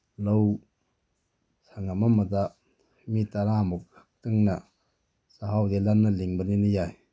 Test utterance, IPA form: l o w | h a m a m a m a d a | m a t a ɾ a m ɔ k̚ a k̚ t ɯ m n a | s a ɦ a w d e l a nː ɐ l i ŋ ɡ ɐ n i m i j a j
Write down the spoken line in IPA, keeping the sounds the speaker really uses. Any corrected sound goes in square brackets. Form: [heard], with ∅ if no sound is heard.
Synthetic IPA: l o w | [s] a [ŋ] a m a m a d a | m [i] t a ɾ a m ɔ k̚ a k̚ t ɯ [ŋ] n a | s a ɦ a w d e l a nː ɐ l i ŋ [b] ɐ n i [n] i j a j